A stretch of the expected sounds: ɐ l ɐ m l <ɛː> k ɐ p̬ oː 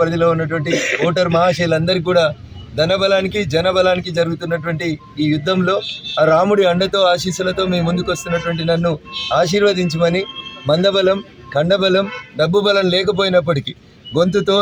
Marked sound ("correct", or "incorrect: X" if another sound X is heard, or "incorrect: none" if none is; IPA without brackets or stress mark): correct